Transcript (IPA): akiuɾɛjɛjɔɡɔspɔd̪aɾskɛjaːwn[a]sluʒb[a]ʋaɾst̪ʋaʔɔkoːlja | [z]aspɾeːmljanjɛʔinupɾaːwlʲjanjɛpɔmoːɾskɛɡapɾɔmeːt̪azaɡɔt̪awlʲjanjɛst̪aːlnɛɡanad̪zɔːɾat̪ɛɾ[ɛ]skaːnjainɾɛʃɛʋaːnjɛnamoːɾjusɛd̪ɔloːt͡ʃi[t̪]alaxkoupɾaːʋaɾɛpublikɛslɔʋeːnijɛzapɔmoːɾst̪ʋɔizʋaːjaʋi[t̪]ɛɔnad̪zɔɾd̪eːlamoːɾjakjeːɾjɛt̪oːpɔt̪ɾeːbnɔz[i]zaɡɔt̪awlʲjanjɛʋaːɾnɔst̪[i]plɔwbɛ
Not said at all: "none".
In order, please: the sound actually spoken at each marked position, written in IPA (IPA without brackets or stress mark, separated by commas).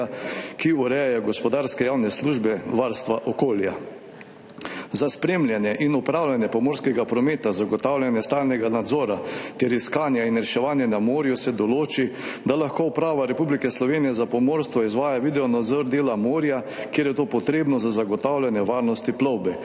ɛ, ɛ, z, i, d̪, d̪, a, i